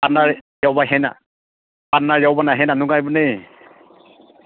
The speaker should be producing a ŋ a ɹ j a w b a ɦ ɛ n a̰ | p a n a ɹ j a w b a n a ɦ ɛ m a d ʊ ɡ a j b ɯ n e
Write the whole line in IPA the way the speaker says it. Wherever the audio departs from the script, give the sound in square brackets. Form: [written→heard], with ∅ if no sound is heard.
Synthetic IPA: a [ŋ→n] a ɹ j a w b a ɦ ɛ n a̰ | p a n a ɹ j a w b a n a ɦ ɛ [m→n] a [d→n] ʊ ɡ a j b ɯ n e